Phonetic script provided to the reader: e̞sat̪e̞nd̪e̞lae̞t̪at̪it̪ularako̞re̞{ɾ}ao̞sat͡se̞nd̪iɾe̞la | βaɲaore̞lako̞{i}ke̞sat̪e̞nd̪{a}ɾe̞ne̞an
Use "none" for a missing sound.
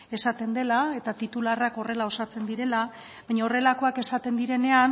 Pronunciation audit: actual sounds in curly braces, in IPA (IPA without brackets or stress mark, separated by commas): l, a, i